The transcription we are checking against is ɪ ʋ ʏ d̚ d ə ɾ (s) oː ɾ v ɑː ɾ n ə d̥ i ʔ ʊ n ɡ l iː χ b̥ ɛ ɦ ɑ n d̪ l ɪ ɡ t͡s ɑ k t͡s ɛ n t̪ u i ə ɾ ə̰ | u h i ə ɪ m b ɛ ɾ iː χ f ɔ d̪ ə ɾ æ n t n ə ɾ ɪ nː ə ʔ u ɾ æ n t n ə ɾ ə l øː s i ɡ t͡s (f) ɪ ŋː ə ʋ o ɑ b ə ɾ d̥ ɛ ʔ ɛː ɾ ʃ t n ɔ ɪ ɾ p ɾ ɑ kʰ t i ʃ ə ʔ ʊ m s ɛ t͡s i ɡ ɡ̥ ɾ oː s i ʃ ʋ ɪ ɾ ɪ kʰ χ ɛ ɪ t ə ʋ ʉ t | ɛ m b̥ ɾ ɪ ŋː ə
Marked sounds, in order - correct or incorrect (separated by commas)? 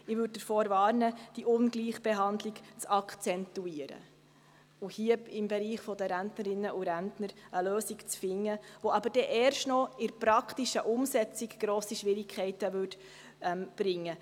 incorrect, correct